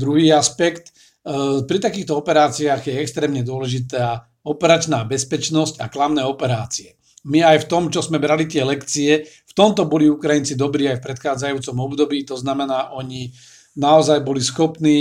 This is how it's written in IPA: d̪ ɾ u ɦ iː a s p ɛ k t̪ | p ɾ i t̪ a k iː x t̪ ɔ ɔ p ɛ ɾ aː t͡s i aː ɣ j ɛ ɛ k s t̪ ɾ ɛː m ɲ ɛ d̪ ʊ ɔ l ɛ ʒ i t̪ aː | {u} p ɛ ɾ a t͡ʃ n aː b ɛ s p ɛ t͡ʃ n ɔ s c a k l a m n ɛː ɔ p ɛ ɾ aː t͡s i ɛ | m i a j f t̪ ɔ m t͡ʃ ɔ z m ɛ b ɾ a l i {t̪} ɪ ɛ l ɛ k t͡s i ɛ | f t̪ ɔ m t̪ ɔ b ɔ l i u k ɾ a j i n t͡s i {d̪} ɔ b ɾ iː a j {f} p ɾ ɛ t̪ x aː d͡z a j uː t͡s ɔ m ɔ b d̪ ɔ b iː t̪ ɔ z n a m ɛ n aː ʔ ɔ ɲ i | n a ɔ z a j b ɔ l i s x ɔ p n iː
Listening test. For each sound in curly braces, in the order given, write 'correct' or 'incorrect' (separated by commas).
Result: incorrect, correct, correct, correct